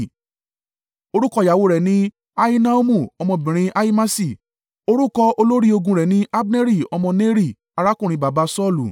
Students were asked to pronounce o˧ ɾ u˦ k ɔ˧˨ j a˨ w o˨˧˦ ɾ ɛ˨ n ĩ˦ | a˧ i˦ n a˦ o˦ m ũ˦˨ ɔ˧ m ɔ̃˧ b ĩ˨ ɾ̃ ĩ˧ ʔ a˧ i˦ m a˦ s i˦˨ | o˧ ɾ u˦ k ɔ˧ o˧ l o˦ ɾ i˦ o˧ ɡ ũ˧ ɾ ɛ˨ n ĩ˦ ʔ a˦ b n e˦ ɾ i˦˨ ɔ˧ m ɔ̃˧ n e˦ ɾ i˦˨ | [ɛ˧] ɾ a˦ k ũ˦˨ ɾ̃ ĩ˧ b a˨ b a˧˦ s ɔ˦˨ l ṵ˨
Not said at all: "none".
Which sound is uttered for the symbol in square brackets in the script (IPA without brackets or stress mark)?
a˧